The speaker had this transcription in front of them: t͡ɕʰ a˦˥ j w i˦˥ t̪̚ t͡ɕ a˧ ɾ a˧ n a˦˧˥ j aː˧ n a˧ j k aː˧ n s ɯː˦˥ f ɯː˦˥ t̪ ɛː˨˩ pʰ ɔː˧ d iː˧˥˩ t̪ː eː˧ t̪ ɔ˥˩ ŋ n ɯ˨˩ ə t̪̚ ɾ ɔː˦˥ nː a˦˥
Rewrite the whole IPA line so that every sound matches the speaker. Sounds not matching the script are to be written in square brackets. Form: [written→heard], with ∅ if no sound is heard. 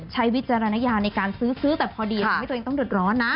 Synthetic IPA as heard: t͡ɕʰ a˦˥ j w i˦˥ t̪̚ t͡ɕ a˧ ɾ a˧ n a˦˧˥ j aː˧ n a˧ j k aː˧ n s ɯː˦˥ [f→s] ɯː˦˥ t̪ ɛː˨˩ pʰ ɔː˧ d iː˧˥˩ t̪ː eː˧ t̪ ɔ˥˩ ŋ [n→d] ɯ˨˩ ə t̪̚ ɾ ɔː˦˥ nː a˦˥